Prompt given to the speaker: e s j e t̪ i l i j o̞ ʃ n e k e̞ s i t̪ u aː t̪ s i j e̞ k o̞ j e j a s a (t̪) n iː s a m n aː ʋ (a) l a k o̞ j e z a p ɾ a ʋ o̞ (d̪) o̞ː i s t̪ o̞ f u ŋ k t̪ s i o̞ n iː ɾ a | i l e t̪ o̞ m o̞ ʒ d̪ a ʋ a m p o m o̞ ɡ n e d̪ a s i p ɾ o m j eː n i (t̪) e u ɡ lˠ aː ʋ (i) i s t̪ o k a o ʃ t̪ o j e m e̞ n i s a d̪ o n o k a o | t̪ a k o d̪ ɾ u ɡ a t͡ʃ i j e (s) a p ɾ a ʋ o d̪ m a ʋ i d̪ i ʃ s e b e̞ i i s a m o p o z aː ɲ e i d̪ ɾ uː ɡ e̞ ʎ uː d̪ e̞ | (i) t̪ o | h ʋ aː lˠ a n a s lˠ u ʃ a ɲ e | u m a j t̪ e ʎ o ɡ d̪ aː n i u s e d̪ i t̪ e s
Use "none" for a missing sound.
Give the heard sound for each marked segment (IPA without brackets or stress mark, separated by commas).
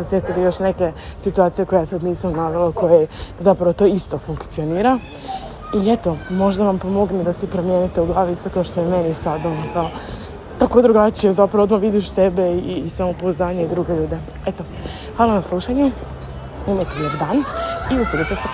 d̪, e, t̪, t̪, i, z, e